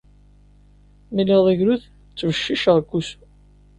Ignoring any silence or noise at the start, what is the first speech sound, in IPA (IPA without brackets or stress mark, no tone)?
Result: m